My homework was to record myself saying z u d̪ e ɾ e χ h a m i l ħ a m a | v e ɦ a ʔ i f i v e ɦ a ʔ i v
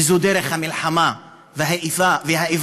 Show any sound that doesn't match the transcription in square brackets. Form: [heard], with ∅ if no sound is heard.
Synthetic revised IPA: z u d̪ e ɾ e χ h a m i l ħ a m a | v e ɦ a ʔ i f [a] v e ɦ a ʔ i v

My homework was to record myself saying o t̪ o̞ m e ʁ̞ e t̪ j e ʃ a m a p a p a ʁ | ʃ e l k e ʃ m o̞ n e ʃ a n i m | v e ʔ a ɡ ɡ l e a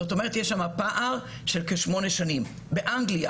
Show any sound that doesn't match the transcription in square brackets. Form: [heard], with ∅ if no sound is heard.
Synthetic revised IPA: o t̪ o̞ m e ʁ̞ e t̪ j e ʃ a m a p a [ʔ] a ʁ | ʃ e l k e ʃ m o̞ n e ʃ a n i m | [b] e ʔ a [ŋ] ɡ l [i] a

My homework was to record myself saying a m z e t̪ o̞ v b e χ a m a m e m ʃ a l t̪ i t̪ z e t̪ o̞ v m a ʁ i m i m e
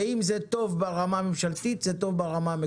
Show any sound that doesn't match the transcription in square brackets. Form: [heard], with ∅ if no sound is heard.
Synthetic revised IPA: [i] m z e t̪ o̞ v b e [ʁ] a m a m e m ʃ a l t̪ i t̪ z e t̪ o̞ v [b] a ʁ [a] m [a] m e

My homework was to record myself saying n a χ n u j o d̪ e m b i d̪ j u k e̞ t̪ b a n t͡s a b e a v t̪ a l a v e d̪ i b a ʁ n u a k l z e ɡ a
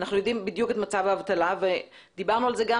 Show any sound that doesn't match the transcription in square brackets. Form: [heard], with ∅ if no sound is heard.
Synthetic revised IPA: n a χ n u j o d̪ [i] m b i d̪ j u k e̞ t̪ [m] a [∅] t͡s a [v] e a v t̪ a l a v e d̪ i b a ʁ n u a [∅] l z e ɡ a

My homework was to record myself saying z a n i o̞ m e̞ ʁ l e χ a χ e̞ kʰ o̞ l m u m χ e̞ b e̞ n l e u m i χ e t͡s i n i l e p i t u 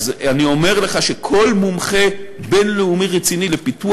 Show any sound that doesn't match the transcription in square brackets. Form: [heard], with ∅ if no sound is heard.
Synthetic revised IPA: z a n i o̞ m e̞ ʁ l e χ a [ʃ] e̞ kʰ o̞ l m u m χ e̞ b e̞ n l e u m i [ʁ] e t͡s i n i l e p i t u

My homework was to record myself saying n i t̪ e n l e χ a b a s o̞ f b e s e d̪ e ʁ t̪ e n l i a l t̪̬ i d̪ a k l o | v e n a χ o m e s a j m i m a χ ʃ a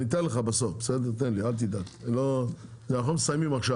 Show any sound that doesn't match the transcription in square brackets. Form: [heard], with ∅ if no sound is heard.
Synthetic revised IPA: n i t̪ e n l e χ a b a s o̞ f b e s e d̪ e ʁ t̪ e n l i a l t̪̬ i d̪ a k l o | [z] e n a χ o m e s a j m i m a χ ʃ a

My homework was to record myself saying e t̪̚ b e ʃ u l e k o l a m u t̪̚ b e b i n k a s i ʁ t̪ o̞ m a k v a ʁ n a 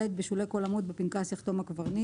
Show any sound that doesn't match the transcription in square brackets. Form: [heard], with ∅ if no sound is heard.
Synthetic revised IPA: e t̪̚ b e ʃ u l e k o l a m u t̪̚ b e [p] i n k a s i [χ] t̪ o̞ m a k v a ʁ n [i]

